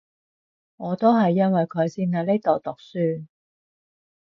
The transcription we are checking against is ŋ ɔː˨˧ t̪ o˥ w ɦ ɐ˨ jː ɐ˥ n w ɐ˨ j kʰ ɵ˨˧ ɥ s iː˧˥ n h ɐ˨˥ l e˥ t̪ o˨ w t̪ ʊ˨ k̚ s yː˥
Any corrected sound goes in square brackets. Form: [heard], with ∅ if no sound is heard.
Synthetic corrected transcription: ŋ ɔː˨˧ t̪ o˥ w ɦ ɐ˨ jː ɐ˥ n w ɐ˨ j kʰ ɵ˨˧ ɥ s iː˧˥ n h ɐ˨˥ l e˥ t̪ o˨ w t̪ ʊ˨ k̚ s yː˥